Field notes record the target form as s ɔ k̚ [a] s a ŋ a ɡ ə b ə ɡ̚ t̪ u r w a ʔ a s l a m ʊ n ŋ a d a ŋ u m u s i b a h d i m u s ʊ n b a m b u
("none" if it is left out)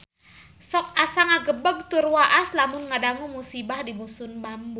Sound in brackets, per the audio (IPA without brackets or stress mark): a